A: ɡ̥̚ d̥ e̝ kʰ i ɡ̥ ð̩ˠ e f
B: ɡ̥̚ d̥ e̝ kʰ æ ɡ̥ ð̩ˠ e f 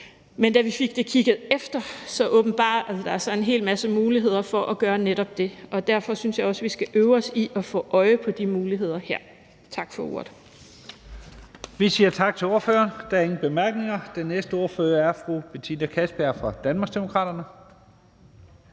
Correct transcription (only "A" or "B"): A